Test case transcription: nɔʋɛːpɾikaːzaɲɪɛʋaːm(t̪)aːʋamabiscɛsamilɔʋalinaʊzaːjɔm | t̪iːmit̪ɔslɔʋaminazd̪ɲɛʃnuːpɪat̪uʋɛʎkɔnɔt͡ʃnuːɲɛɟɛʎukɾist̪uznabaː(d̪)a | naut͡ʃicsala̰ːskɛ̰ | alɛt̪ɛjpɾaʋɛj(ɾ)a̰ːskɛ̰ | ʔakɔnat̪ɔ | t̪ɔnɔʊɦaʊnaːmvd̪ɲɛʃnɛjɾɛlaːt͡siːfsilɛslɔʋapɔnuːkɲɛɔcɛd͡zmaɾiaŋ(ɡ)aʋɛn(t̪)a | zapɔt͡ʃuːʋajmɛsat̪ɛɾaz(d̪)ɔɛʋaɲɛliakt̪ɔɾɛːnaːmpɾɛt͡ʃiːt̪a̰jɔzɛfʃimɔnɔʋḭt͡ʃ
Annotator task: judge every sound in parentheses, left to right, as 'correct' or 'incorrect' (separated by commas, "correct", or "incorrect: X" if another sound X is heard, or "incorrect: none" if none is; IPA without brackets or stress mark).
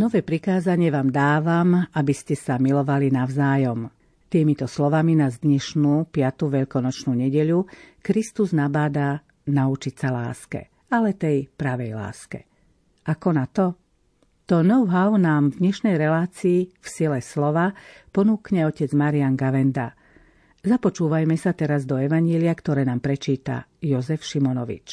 incorrect: d̪, correct, incorrect: l, correct, incorrect: d̪, correct